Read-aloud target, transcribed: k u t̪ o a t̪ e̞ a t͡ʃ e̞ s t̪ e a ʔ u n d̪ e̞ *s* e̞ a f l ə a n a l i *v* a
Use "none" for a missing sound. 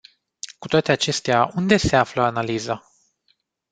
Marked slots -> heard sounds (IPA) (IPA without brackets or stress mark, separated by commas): s, z